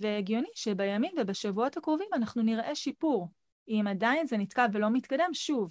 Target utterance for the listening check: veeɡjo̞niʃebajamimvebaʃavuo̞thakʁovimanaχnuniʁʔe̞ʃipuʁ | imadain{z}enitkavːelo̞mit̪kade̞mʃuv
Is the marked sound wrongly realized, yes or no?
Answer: no